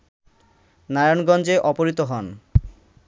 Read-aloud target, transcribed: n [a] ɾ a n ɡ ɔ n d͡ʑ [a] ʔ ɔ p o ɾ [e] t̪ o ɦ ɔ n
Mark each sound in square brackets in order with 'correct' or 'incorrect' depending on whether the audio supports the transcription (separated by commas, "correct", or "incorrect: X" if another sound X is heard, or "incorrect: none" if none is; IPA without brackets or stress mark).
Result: correct, incorrect: e, incorrect: i